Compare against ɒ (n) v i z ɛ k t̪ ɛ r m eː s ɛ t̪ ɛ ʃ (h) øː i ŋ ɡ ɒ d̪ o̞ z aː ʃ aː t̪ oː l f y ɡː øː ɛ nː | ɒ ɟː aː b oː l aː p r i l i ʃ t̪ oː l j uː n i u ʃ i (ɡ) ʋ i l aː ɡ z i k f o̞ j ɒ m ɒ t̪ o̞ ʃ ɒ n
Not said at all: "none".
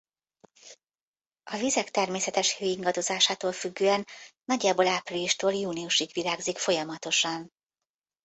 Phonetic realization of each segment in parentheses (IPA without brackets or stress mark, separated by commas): none, h, ɡ